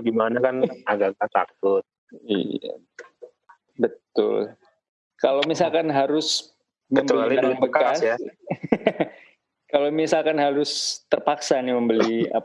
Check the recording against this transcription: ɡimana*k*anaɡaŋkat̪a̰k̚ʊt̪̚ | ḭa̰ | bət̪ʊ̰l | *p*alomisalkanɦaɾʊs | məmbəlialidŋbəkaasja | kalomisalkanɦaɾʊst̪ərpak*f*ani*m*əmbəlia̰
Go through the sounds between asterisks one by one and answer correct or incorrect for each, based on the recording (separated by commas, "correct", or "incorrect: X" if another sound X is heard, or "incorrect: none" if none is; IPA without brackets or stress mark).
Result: correct, incorrect: k, incorrect: s, correct